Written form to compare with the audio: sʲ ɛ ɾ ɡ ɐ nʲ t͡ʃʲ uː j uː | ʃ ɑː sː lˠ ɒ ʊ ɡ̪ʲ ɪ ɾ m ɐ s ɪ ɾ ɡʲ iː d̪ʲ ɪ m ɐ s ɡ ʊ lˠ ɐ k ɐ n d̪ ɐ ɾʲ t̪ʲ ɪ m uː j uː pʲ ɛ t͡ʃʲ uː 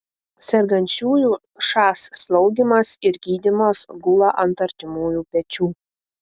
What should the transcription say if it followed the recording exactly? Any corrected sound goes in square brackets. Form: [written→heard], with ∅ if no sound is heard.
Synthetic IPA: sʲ ɛ ɾ ɡ ɐ nʲ t͡ʃʲ uː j uː | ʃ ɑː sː lˠ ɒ ʊ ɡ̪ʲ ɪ [ɾ→∅] m ɐ s ɪ ɾ ɡʲ iː d̪ʲ ɪ m ɐ s ɡ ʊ lˠ ɐ [k→ʔ] ɐ n [d̪→t̪] ɐ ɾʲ t̪ʲ ɪ m uː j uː pʲ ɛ t͡ʃʲ uː

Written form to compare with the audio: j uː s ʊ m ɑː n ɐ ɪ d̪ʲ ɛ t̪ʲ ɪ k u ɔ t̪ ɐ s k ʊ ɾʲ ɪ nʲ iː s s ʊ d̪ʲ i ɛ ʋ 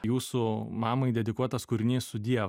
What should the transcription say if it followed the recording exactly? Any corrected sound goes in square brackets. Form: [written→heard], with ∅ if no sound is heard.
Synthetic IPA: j uː s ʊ m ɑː [n→m] ɐ ɪ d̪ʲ ɛ [t̪ʲ→d̪ʲ] ɪ k u ɔ t̪ ɐ s k ʊ ɾʲ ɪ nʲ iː s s ʊ d̪ʲ i ɛ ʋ

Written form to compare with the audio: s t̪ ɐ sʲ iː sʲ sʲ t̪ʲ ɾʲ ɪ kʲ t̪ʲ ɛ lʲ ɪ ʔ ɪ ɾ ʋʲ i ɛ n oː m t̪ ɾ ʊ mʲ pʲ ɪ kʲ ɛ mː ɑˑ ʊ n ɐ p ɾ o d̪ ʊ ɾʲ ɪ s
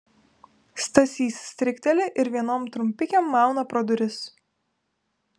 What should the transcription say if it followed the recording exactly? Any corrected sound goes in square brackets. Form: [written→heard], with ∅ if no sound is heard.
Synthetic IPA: s t̪ ɐ sʲ iː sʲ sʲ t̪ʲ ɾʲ ɪ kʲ t̪ʲ ɛ lʲ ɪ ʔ ɪ ɾ ʋʲ i ɛ n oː m t̪ ɾ ʊ mʲ pʲ ɪ kʲ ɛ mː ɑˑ ʊ n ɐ p ɾ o d̪ ʊ ɾʲ ɪ s

